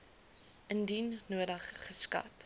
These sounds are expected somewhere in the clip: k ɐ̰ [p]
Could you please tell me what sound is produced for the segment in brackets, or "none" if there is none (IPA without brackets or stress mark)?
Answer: t